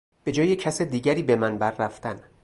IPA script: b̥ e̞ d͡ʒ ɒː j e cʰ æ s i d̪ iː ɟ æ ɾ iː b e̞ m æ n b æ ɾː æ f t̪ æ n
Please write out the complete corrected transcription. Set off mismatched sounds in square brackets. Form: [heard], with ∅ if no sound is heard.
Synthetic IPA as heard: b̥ e̞ d͡ʒ ɒː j e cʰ æ s [e] d̪ iː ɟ æ ɾ iː b e̞ m æ n b æ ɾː æ f t̪ æ n